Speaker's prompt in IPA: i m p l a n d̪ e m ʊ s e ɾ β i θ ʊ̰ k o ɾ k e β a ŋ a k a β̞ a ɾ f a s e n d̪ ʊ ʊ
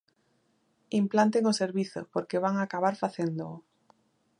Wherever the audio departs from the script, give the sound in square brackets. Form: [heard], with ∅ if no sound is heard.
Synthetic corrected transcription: i m p l a n [t̪] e [ŋ] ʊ s e ɾ β i θ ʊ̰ [p] o ɾ k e β a ŋ a k a β̞ a ɾ f a [θ] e n d̪ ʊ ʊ